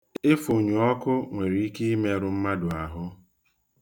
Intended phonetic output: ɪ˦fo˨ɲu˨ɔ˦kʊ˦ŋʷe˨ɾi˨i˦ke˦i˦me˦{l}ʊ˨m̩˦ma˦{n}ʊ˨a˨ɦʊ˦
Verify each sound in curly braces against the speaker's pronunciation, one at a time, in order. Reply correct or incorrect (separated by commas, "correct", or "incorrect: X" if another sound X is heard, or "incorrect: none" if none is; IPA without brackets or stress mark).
incorrect: ɾ, incorrect: d